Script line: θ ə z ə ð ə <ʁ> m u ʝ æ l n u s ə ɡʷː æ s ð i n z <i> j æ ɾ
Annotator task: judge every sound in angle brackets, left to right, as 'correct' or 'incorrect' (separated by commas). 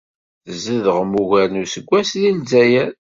correct, incorrect